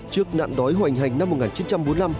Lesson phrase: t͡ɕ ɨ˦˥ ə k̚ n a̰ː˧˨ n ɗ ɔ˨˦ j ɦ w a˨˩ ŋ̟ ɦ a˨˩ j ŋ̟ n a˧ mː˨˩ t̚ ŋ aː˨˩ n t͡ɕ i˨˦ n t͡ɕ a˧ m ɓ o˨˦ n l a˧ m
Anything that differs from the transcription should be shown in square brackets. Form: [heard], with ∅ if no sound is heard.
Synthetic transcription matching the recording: t͡ɕ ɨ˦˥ ə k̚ n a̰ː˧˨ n ɗ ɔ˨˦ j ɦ w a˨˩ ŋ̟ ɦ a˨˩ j ŋ̟ n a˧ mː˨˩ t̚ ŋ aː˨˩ n t͡ɕ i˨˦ n t͡ɕ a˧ m ɓ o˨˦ n l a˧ m